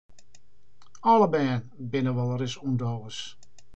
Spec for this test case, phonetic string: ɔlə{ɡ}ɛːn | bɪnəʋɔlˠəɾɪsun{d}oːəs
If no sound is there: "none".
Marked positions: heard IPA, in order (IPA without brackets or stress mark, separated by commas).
b, d